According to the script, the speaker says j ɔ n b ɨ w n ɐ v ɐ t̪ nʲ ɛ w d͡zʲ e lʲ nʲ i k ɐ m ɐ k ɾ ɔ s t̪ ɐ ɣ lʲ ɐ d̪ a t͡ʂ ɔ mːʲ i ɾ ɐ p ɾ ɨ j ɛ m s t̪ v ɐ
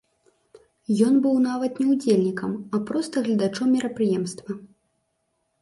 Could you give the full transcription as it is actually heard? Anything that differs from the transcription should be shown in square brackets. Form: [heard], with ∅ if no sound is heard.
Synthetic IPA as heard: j ɔ n b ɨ w n [a] v ɐ t̪ nʲ ɛ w d͡zʲ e lʲ nʲ i k ɐ m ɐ [p] ɾ ɔ s t̪ ɐ ɣ lʲ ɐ d̪ a t͡ʂ ɔ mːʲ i ɾ ɐ p ɾ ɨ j ɛ m s t̪ v ɐ